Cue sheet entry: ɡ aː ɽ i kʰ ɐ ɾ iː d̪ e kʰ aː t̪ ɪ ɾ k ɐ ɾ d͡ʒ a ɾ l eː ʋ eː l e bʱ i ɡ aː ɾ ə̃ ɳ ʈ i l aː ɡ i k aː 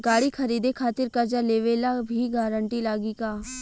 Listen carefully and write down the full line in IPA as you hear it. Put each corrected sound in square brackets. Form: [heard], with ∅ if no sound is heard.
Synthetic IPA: ɡ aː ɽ i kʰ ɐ ɾ iː d̪ e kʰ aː t̪ ɪ ɾ k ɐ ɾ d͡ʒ a [∅] l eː ʋ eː l [a] bʱ i ɡ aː ɾ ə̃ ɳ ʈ i l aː ɡ i k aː